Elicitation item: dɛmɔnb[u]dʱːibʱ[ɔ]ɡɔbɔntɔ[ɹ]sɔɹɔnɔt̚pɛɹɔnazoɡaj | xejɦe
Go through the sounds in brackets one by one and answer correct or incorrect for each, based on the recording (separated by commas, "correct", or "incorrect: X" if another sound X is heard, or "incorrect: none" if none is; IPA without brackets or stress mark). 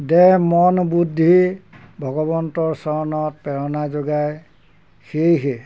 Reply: correct, correct, correct